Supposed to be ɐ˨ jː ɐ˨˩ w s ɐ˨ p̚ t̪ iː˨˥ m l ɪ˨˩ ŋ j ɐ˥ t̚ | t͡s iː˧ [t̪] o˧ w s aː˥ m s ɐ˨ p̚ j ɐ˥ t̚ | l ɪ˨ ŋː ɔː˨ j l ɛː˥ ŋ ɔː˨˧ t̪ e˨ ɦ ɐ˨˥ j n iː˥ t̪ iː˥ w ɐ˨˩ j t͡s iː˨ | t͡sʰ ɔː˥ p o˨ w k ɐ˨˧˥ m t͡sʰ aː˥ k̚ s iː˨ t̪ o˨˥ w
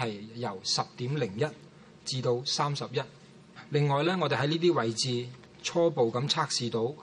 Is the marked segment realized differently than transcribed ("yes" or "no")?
no